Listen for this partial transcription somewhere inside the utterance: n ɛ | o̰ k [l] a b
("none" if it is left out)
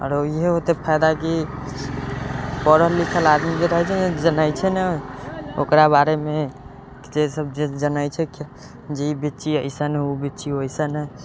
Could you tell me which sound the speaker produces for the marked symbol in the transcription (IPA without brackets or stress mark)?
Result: ɾ